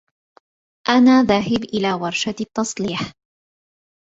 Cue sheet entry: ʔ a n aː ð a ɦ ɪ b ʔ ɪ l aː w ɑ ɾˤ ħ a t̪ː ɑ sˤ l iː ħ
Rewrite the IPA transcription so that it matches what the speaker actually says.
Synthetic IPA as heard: ʔ a n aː ð a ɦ ɪ b ʔ ɪ l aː w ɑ ɾˤ ʃ a t̪ː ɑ sˤ l iː ħ